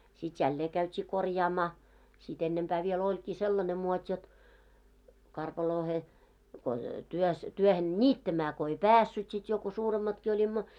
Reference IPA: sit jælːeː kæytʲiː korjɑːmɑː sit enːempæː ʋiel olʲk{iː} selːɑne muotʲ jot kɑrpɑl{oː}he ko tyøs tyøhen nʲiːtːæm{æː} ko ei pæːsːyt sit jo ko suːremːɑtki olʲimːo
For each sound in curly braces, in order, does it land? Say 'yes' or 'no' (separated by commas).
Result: yes, yes, yes